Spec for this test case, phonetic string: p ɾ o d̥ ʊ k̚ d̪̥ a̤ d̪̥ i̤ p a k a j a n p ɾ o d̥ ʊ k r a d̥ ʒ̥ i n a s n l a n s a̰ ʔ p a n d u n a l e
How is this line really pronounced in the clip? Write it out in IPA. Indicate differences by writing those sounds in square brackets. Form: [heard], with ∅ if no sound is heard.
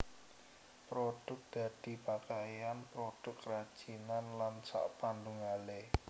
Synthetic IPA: p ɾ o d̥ ʊ k̚ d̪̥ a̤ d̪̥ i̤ p a k a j a n p ɾ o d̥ ʊ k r a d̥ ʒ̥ i n a [∅] n l a n s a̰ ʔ p a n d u [ŋ] a l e